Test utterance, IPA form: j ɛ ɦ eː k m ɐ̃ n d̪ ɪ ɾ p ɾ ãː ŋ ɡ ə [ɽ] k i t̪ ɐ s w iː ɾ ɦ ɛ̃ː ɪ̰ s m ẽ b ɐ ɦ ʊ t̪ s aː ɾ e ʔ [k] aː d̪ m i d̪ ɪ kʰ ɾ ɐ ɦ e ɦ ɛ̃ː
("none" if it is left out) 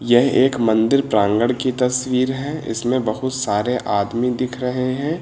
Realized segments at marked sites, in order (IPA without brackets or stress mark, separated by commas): ɽ, ʔ